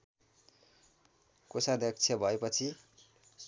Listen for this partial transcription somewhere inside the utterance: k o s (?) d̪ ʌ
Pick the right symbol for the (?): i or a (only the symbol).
a